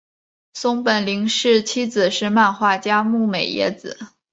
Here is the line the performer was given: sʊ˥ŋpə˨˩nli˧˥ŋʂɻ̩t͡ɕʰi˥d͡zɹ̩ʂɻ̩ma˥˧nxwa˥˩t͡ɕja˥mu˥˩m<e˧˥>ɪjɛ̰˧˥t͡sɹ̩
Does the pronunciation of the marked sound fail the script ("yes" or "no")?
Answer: yes